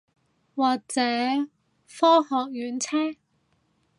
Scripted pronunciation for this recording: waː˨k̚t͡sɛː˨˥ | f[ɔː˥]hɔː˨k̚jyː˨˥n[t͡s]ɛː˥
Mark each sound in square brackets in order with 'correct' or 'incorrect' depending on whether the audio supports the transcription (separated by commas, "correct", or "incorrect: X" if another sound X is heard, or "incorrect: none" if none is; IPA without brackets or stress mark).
correct, incorrect: t͡sʰ